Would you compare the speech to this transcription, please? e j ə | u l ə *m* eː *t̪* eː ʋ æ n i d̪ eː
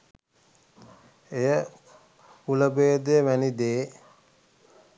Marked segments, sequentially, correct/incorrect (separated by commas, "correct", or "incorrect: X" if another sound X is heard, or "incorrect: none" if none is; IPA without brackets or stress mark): incorrect: b, incorrect: d̪